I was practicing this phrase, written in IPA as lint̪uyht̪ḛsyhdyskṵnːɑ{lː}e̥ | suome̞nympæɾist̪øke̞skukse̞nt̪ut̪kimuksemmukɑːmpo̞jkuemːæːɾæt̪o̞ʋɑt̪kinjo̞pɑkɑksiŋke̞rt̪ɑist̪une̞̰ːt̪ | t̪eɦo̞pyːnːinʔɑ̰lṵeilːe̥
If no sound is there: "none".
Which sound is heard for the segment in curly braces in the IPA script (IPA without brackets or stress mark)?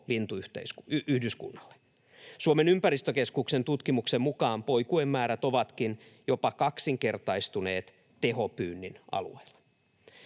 lː